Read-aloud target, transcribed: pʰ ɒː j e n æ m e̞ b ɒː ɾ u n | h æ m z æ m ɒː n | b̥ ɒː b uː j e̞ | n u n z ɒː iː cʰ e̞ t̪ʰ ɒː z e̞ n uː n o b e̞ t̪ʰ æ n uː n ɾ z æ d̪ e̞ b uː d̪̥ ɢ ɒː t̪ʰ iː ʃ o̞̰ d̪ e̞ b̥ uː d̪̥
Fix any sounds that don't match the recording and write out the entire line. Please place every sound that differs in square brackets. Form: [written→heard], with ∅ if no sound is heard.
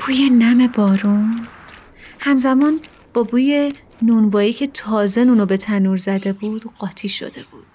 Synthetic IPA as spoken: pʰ [ɒː→uː] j e n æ m e̞ b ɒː ɾ u n | h æ m z æ m ɒː n | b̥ ɒː b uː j e̞ | n u n [z→v] ɒː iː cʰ e̞ t̪ʰ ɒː z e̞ n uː n o b e̞ t̪ʰ æ n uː [n→∅] ɾ z æ d̪ e̞ b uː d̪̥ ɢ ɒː t̪ʰ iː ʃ o̞̰ d̪ e̞ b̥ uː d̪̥